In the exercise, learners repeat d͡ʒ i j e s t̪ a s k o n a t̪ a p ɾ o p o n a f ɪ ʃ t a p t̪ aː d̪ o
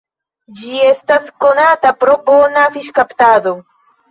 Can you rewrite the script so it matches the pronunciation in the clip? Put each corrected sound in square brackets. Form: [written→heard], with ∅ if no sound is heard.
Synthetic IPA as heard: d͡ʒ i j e s t̪ a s k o n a t̪ a p ɾ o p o n a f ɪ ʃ [t→k] a p t̪ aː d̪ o